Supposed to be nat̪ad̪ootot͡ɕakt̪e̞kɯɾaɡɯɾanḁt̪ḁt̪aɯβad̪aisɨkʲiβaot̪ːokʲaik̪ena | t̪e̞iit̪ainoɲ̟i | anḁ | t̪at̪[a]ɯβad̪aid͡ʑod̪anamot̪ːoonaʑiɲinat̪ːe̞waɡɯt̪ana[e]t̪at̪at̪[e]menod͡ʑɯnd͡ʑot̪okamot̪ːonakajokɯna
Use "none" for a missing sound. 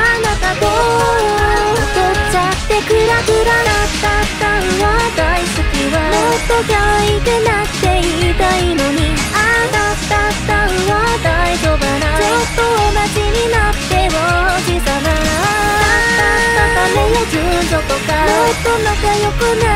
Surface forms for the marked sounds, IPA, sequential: a, a, a

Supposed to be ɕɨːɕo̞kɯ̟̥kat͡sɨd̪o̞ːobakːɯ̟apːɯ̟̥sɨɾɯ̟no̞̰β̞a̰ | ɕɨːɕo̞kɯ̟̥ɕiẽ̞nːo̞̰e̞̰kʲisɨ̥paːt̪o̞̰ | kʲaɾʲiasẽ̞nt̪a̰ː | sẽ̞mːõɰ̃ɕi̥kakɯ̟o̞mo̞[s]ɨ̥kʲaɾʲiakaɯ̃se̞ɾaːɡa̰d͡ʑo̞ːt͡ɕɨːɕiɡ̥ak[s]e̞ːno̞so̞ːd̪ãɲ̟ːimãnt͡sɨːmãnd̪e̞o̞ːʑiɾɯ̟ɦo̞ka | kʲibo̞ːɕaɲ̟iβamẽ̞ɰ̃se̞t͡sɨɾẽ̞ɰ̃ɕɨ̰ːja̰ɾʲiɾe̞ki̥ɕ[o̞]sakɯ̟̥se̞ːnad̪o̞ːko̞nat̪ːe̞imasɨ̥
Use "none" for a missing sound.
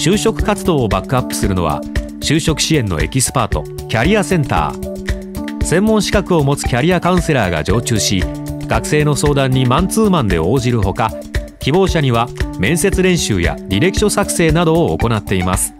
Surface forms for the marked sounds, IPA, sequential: t͡s, s, o̞

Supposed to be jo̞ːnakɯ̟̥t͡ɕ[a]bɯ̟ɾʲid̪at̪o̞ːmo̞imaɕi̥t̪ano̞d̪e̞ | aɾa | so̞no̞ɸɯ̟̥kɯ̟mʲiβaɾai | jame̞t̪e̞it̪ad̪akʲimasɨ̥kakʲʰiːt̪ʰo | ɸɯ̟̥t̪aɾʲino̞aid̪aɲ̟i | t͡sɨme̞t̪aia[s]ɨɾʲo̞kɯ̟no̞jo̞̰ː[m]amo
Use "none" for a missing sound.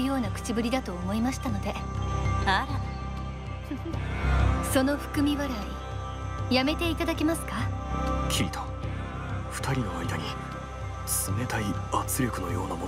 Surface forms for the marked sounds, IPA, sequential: i, t͡s, n

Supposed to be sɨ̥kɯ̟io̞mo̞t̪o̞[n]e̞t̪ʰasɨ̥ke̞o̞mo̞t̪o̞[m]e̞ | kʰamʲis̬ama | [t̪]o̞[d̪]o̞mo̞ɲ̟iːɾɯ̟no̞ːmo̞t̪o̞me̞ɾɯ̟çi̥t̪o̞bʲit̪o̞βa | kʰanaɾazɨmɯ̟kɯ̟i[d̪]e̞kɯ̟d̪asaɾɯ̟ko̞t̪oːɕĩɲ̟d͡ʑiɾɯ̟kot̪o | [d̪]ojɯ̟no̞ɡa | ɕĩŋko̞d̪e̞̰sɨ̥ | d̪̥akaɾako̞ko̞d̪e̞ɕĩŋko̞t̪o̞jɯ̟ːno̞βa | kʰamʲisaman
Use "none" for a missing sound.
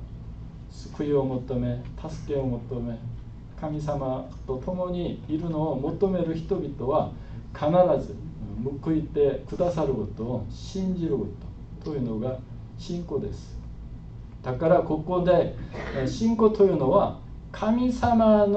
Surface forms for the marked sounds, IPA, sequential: m, m, t̪, t̪, t̪, t̪

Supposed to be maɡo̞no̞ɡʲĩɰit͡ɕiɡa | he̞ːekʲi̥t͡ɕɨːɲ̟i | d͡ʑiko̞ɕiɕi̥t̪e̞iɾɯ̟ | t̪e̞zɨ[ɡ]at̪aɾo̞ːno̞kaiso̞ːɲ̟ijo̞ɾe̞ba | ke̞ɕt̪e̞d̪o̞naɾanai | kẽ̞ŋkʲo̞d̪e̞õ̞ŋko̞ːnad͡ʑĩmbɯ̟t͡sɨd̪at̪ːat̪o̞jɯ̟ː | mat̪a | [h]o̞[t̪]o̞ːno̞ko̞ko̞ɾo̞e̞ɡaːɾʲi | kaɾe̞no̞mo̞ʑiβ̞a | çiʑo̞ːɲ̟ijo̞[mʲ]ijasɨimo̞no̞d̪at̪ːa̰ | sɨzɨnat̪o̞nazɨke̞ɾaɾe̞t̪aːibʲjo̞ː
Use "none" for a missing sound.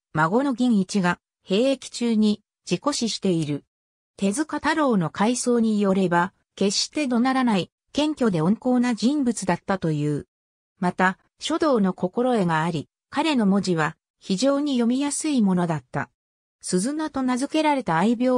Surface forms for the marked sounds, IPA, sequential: k, ɕ, d̪, mʲ

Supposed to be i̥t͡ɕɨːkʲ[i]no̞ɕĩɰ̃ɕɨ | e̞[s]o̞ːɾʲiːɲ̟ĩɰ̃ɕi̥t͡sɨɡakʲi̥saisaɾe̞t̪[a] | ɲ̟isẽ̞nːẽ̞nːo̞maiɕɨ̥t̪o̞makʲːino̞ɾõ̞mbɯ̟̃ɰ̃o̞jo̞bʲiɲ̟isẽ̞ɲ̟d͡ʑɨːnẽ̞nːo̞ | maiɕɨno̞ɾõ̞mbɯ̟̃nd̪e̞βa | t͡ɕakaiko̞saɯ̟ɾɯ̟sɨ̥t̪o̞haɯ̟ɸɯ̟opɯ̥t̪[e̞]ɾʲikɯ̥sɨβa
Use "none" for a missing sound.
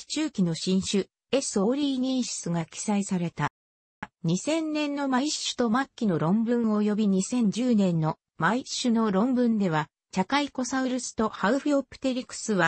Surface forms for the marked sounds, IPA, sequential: i, s, a, e̞

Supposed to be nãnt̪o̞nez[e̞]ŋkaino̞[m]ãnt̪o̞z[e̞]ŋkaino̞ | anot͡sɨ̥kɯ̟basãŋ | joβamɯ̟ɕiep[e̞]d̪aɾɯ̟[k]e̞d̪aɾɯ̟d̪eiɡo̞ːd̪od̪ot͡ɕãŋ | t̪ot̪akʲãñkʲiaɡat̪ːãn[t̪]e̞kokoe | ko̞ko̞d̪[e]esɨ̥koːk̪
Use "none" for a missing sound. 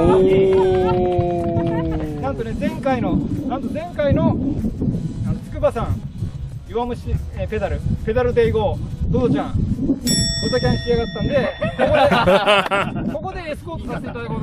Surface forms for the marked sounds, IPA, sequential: ẽ̞, n, ẽ̞, e̞, p, d̪, e

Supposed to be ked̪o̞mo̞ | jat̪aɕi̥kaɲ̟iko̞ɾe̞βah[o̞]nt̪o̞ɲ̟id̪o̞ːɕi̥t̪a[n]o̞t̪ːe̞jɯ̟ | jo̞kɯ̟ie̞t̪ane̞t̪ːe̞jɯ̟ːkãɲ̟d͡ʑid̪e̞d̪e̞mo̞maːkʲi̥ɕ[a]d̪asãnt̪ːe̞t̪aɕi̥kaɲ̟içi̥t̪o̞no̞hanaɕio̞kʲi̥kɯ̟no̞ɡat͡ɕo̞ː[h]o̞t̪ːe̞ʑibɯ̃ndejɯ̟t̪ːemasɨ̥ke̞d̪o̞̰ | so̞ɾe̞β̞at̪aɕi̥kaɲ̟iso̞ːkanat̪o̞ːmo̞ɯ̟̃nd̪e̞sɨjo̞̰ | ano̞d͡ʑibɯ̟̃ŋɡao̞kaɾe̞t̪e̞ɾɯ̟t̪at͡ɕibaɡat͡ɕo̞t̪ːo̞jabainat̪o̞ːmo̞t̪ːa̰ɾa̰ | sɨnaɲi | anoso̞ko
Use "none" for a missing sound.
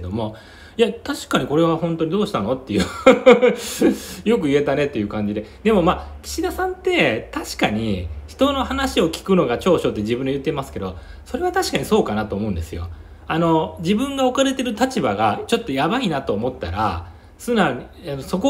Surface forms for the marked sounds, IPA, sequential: õ̞, n, i, ɕ

